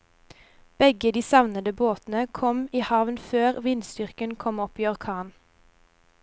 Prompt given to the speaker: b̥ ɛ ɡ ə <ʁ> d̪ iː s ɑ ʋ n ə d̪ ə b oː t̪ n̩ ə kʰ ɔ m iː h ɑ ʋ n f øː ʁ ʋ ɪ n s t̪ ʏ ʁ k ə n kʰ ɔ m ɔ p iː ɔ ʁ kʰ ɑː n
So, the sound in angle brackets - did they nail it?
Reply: no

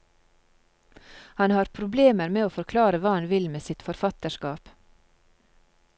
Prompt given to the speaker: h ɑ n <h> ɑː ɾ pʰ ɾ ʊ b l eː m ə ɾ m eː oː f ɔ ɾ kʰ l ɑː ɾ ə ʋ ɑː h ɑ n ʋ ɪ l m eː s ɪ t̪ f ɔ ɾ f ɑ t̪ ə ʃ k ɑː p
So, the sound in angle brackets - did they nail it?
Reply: yes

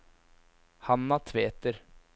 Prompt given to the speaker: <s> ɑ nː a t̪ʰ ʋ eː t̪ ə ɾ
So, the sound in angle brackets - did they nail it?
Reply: no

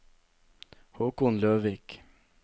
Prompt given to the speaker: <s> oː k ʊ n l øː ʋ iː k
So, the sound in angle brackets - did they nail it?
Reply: no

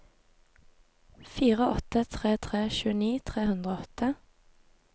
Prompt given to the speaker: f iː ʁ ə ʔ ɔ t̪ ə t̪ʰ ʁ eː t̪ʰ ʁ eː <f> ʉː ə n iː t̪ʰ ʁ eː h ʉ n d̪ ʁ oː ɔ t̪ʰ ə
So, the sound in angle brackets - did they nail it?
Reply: no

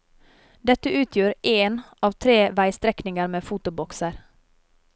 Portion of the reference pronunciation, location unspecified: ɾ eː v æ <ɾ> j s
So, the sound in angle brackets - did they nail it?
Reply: no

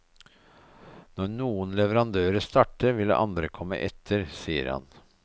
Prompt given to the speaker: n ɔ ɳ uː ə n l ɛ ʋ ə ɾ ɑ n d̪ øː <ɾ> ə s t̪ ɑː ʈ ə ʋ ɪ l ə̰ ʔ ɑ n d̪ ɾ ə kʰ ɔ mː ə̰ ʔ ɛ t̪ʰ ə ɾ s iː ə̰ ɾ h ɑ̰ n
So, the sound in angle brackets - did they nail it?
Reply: yes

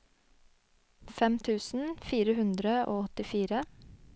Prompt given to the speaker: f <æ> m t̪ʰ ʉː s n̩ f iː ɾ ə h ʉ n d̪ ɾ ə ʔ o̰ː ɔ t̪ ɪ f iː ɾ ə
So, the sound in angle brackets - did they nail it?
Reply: no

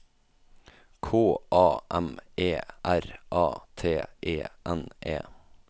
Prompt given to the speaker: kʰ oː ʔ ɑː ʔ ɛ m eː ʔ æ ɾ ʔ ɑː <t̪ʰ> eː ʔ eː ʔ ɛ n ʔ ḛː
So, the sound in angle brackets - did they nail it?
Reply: yes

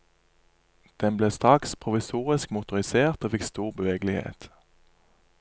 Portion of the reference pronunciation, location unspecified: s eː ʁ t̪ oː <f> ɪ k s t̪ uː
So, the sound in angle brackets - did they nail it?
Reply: yes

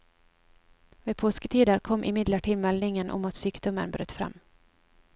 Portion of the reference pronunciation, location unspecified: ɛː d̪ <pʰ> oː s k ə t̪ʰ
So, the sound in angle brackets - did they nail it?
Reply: yes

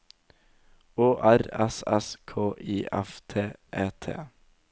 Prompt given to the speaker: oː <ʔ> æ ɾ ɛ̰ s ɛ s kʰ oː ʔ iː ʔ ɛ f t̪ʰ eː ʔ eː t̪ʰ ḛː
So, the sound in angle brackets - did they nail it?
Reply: yes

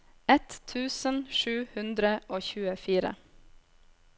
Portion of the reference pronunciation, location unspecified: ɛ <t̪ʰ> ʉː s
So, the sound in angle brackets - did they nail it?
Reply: yes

